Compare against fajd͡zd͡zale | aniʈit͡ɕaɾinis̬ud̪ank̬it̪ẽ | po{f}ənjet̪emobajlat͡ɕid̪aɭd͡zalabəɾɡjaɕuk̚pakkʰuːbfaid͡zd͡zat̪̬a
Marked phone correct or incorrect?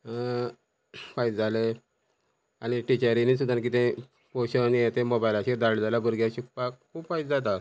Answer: incorrect